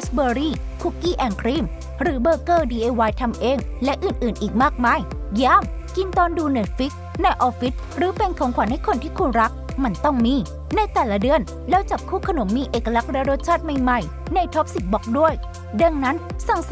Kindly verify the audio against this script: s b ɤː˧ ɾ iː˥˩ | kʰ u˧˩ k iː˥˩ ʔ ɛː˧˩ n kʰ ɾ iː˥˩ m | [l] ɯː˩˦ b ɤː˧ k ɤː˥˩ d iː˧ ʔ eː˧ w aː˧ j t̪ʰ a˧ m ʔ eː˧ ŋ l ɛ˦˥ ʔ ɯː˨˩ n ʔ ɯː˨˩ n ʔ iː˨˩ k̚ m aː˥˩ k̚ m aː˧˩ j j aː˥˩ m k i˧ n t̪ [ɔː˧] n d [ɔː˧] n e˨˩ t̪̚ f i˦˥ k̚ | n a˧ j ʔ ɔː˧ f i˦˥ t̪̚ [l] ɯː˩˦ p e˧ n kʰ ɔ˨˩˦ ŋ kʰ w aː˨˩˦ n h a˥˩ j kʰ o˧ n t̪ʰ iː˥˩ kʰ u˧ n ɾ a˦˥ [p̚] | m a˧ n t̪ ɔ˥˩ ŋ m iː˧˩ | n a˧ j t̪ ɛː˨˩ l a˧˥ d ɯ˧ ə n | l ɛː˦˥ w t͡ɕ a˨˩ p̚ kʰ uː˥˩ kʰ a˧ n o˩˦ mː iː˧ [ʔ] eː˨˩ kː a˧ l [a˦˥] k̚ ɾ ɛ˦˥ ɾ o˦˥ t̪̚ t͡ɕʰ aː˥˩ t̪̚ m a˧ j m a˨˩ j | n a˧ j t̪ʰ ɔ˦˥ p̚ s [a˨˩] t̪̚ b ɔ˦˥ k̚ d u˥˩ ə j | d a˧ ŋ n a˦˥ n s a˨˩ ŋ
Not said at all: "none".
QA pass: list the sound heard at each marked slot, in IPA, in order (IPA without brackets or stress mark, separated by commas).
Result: ɾ, ɔː˧, uː˧, ɾ, k̚, ʔ, a˦˥, i˨˩